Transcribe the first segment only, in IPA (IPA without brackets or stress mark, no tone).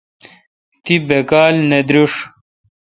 t̪